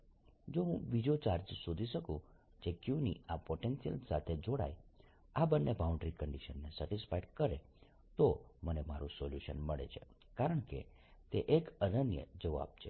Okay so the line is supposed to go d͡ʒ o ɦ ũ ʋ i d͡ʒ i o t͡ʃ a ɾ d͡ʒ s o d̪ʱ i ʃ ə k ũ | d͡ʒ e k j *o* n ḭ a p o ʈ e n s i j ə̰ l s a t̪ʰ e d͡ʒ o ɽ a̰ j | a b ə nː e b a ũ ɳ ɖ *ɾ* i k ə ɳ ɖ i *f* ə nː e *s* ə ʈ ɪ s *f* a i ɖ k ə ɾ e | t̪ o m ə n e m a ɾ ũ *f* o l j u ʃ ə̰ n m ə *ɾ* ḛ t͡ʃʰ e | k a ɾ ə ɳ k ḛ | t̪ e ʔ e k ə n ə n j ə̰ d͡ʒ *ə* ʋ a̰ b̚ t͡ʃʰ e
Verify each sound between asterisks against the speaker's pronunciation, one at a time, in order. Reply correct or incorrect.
incorrect, correct, incorrect, correct, correct, incorrect, incorrect, correct

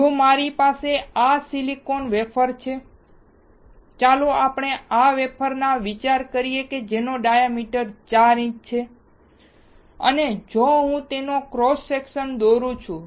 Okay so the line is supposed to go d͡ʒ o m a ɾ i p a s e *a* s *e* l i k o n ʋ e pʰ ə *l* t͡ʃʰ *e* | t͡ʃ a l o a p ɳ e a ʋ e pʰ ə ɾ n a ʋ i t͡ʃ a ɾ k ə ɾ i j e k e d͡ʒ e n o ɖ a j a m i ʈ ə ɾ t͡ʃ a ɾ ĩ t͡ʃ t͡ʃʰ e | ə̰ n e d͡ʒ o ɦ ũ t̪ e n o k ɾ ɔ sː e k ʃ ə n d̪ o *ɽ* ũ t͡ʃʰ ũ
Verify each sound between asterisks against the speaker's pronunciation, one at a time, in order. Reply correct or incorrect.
correct, incorrect, incorrect, correct, incorrect

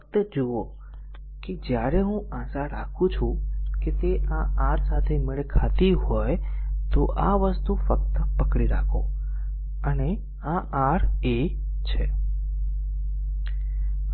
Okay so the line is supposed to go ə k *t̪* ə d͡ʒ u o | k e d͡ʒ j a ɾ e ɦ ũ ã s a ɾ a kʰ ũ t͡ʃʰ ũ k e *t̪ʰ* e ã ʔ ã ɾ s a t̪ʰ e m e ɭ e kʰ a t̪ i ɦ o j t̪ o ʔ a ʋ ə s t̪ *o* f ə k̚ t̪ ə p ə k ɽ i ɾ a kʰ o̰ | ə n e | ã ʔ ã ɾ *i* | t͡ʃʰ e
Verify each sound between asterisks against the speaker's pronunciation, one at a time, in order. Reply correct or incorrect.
correct, incorrect, incorrect, incorrect

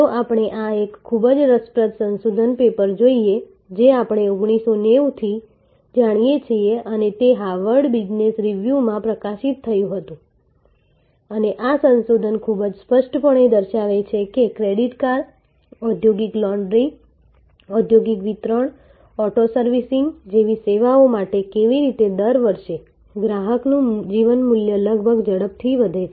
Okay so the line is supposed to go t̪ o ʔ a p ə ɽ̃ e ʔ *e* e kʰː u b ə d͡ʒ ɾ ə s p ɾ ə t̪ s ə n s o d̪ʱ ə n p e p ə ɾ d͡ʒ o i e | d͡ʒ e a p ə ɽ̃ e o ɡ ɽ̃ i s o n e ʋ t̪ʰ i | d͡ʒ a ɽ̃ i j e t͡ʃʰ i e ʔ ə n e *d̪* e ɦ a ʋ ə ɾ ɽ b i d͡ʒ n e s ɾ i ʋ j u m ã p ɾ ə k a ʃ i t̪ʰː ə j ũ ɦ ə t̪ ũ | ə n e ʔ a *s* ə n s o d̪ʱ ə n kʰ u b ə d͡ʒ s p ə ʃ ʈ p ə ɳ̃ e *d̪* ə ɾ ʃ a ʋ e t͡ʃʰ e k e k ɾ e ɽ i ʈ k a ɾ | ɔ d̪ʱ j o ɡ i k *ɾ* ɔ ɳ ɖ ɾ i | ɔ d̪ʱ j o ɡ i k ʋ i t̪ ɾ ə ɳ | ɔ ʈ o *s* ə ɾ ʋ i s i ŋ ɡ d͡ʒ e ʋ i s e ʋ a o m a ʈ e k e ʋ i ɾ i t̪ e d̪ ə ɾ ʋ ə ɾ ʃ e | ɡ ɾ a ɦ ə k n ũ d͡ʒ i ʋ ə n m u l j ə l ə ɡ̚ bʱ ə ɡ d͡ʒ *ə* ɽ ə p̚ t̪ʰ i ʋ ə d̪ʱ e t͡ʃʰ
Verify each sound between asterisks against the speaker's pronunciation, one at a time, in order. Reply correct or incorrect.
incorrect, incorrect, correct, correct, incorrect, correct, correct

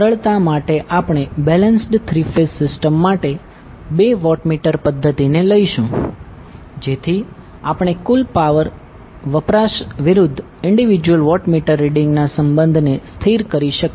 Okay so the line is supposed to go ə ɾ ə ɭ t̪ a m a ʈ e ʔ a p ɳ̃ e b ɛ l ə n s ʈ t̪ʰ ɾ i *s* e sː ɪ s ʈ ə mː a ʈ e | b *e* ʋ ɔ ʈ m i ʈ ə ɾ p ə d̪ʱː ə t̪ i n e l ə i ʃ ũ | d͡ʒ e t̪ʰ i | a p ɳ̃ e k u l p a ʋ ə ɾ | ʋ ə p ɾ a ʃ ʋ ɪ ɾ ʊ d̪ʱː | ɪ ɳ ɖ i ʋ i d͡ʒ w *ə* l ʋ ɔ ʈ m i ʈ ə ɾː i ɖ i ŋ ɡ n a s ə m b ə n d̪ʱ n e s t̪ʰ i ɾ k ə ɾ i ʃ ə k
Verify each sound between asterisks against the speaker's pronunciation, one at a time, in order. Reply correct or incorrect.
incorrect, correct, correct

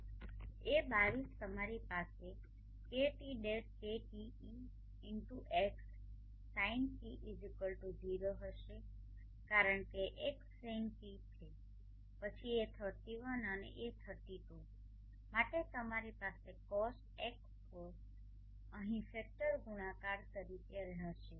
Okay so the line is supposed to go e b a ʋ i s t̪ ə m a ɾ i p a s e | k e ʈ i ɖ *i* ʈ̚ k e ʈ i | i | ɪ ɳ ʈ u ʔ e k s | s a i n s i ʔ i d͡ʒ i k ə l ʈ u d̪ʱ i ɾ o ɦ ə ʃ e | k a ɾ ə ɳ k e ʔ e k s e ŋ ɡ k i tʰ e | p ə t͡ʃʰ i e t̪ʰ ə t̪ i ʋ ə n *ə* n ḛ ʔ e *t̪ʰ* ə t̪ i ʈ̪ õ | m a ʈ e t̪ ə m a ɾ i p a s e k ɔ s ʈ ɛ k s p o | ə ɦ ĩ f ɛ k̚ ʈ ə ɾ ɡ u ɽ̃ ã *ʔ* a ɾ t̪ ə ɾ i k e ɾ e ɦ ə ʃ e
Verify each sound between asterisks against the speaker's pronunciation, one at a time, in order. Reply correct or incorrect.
incorrect, correct, correct, incorrect

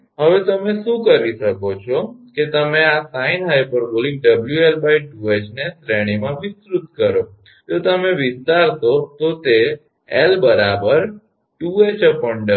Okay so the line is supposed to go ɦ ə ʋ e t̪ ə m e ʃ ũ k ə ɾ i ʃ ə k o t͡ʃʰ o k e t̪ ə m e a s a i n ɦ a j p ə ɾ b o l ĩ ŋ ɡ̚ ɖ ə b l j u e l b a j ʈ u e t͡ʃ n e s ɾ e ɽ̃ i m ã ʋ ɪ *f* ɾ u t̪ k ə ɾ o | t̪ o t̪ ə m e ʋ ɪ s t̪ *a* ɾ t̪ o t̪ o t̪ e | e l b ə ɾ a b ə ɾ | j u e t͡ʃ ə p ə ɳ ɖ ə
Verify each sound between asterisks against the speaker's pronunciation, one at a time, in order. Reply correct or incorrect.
incorrect, correct

